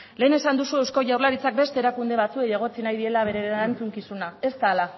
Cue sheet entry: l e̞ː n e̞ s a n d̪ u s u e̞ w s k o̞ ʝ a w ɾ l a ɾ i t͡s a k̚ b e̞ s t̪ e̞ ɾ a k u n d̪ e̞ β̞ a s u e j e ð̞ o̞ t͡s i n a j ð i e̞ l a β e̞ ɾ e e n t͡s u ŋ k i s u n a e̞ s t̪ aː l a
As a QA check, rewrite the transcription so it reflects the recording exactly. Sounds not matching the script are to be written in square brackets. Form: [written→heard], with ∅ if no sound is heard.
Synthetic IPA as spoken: l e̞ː n e̞ s a n d̪ u s u e̞ w s k o̞ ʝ a w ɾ l a ɾ i t͡s a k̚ b e̞ s t̪ e̞ ɾ a k u n d̪ e̞ β̞ a [s→t͡s] u e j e [ð̞→ɣ̞] o̞ t͡s i n a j ð i e̞ l a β e̞ ɾ e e n t͡s u ŋ k i s u n a e̞ s t̪ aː l a